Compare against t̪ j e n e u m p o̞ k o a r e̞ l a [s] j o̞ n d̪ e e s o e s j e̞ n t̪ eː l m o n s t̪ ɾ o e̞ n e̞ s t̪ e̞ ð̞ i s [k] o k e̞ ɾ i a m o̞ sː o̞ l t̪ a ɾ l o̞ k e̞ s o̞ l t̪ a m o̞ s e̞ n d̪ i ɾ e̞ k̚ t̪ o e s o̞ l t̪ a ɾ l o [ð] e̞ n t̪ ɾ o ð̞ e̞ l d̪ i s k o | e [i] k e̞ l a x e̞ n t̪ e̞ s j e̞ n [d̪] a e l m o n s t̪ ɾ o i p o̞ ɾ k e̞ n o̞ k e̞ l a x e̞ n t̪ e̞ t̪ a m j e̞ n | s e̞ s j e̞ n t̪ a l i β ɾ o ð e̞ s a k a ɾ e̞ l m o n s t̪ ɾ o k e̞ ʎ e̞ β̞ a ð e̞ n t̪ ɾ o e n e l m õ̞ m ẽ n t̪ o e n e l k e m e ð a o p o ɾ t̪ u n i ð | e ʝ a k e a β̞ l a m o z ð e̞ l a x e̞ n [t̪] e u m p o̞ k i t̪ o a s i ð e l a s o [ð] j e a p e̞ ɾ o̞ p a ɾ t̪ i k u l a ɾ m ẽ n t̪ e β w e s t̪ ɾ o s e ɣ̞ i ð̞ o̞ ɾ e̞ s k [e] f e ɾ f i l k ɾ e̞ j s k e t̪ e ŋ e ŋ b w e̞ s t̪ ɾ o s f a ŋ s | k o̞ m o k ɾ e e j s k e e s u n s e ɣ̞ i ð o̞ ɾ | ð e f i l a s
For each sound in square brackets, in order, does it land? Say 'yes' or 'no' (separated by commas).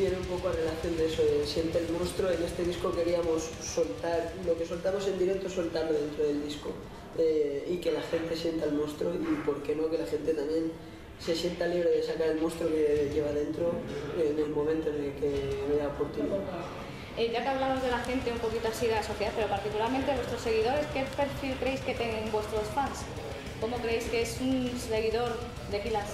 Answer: no, yes, yes, yes, no, yes, no, yes